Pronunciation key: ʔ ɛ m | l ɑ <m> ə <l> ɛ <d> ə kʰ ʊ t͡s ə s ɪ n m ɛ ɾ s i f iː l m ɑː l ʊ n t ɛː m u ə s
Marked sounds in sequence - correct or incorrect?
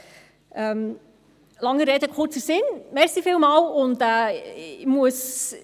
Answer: incorrect: ŋ, incorrect: ɾ, correct

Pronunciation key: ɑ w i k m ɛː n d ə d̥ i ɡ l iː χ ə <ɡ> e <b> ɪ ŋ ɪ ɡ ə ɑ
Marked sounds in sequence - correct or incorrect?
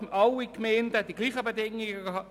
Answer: incorrect: b, incorrect: d

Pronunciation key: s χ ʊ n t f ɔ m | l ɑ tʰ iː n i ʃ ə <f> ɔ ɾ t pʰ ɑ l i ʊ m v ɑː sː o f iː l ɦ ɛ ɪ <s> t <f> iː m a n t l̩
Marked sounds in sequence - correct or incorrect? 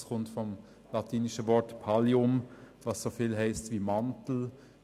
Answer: incorrect: v, correct, incorrect: v

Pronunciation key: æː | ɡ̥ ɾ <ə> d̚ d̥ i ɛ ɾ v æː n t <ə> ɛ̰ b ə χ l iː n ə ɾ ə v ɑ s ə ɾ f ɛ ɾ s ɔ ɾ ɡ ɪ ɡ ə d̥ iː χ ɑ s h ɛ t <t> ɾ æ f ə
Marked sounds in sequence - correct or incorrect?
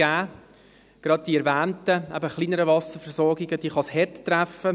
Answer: incorrect: ɑ, correct, correct

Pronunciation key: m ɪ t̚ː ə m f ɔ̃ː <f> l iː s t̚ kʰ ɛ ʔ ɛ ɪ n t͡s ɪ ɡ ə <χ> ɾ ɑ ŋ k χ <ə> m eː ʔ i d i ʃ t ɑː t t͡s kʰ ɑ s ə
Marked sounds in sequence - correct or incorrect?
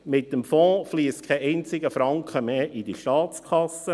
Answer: correct, incorrect: f, correct

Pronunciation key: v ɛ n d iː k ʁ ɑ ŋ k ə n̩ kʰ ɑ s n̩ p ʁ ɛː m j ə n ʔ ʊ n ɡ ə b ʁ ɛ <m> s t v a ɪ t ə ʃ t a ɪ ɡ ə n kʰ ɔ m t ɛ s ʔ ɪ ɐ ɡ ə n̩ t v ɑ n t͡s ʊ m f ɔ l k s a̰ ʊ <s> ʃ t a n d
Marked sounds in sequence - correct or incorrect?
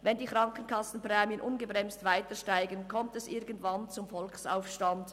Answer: correct, incorrect: f

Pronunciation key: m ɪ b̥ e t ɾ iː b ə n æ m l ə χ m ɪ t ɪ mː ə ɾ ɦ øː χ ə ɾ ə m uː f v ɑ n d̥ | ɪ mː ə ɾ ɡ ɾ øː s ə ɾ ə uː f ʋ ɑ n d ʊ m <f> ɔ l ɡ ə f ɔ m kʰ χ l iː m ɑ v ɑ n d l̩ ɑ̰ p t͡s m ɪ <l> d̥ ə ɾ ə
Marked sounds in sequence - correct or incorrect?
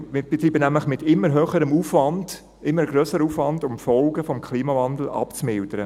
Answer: correct, correct

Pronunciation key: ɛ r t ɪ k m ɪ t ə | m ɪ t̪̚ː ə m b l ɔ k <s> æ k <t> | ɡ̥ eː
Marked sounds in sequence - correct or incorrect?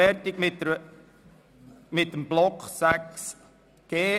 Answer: correct, incorrect: s

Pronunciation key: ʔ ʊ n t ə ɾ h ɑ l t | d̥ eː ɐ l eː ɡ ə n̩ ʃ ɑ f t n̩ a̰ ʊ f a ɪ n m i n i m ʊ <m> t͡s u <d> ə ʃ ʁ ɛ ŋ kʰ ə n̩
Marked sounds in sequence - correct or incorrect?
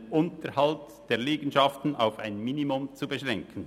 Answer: correct, incorrect: b

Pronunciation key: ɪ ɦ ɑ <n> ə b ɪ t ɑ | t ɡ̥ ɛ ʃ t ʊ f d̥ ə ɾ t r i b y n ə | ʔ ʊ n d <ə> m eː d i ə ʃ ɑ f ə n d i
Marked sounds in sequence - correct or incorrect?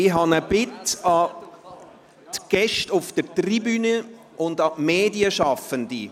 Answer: correct, incorrect: ɑ

